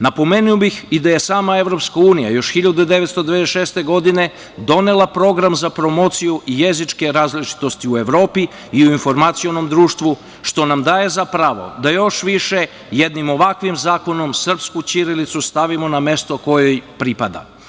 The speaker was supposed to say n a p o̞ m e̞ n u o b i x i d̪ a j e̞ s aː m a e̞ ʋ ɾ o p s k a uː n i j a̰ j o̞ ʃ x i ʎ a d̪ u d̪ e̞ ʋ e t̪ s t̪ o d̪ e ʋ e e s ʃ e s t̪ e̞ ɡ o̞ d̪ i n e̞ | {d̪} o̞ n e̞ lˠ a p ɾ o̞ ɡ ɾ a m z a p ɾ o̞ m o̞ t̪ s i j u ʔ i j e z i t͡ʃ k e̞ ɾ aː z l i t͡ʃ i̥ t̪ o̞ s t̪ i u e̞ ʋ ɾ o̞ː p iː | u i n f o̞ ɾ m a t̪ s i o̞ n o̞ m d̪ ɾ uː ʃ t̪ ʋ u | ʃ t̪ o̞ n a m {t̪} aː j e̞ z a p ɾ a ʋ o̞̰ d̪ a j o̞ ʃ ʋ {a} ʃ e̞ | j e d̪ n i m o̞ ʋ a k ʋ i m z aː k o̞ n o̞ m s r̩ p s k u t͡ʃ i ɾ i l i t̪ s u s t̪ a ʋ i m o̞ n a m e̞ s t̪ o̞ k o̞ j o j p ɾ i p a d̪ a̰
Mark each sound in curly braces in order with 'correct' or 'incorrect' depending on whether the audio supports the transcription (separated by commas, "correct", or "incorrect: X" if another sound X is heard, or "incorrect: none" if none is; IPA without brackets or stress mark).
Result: correct, incorrect: d̪, incorrect: i